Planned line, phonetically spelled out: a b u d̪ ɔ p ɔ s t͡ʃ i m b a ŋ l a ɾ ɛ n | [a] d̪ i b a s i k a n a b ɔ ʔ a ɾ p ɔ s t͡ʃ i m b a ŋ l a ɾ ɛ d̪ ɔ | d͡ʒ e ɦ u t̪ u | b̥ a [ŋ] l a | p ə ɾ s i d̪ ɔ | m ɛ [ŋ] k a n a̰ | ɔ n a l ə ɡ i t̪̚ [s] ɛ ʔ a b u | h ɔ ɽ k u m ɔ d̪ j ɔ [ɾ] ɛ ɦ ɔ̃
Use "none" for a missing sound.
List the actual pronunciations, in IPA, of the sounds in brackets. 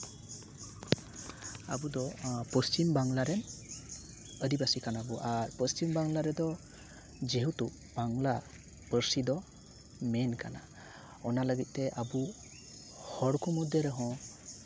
ə, ŋ, n, t, ɾ

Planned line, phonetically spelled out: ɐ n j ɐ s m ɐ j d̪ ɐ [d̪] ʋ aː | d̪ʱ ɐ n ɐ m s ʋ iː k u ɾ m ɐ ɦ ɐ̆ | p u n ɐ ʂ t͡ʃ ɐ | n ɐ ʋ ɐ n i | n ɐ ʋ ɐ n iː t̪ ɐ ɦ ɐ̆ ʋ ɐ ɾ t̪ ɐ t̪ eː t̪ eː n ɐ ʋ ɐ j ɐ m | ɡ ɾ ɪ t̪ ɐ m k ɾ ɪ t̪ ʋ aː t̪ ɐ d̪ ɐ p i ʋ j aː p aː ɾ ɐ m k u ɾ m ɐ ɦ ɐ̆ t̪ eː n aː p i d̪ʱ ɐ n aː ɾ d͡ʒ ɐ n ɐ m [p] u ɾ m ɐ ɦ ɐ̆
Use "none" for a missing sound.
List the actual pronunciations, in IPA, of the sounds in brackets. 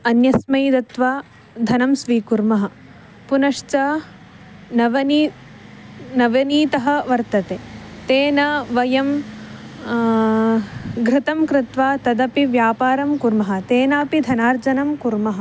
t̪, k

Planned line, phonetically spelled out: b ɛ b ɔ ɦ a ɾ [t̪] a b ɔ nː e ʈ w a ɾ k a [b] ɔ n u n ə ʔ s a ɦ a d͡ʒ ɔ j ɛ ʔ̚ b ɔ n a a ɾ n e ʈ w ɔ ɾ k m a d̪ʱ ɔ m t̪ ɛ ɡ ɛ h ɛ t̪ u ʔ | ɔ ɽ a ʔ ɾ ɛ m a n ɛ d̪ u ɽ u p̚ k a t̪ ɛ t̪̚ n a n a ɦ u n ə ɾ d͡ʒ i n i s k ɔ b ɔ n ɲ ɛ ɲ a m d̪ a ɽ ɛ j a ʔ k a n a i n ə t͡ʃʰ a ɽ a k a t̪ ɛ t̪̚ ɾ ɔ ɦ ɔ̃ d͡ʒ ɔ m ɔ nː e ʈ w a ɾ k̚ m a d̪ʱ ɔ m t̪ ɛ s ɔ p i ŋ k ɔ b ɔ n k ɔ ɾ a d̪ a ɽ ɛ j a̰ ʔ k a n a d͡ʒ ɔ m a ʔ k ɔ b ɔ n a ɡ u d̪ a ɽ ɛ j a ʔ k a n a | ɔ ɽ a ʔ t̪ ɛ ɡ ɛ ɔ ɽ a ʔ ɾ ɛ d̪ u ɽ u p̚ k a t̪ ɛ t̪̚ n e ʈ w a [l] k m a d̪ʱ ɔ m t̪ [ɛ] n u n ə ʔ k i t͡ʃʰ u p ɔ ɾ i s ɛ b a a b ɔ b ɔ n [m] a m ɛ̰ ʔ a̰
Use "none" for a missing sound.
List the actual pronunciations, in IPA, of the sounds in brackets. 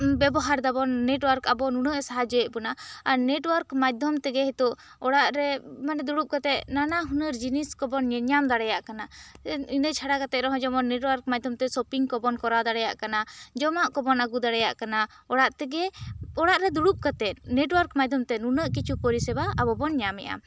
d̪, b, ɾ, ɛ, ɲ

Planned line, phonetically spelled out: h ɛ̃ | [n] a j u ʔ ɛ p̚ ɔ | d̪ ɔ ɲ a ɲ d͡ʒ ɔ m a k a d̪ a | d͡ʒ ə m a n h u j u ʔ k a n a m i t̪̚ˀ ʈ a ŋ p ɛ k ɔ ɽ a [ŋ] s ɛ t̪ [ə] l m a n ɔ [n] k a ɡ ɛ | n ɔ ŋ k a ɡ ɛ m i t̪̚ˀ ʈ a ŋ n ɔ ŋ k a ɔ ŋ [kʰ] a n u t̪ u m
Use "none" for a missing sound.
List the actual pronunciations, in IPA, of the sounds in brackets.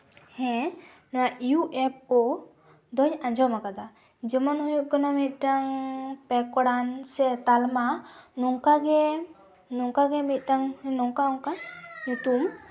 n, n, a, ŋ, k

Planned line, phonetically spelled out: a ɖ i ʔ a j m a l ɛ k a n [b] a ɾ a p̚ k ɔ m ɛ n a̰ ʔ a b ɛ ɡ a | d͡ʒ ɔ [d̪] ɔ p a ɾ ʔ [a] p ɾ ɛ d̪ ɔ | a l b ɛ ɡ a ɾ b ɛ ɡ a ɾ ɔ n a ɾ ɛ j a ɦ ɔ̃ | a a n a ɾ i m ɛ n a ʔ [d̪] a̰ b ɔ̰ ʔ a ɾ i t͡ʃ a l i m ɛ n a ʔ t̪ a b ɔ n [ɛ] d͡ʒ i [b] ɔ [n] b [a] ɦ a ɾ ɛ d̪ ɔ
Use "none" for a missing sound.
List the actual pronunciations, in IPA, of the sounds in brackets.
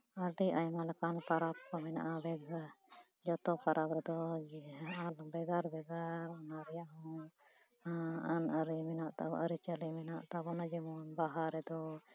p, t̪, a, t̪, a, m, n, a

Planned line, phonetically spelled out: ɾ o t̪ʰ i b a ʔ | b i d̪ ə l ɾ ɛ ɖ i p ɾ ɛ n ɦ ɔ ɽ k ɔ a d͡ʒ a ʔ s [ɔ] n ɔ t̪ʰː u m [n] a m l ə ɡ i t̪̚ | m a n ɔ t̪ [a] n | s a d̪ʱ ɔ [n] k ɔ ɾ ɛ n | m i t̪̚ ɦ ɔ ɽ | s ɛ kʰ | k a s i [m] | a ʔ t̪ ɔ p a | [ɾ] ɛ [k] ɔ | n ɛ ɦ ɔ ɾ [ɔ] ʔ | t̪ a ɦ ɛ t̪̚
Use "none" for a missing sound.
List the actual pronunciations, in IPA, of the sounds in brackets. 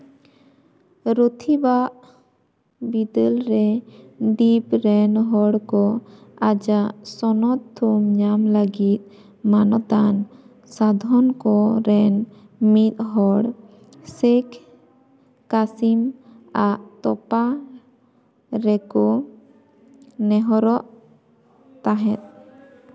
ɔ, ɲ, a, n, m, ɾ, k, ɔ

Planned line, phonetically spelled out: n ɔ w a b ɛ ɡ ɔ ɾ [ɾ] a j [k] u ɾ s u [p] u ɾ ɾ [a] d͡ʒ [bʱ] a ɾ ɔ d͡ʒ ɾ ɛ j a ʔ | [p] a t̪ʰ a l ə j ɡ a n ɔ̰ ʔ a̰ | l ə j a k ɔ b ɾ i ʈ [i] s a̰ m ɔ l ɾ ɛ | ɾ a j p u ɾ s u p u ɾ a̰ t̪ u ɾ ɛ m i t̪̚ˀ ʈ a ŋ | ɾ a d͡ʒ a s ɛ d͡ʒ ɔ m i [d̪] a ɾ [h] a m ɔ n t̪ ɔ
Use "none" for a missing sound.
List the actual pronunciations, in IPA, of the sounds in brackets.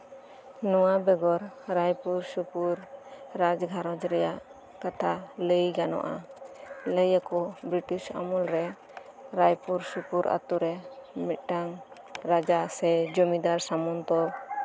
ɾ, p, p, a, ɡʱ, k, i, d̪, s

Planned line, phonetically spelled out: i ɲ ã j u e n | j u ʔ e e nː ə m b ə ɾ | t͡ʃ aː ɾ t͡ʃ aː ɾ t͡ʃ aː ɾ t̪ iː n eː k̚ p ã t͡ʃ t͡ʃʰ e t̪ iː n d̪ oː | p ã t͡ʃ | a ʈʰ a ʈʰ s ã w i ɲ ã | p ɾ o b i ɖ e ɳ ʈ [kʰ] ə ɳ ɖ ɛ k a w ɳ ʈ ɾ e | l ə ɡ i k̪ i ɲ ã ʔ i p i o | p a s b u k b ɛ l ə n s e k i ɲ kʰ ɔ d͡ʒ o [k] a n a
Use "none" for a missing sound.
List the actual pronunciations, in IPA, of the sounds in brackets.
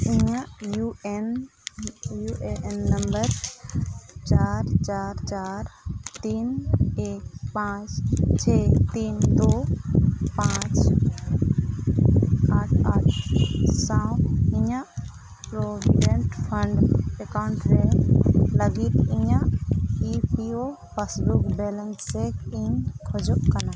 pʰ, k

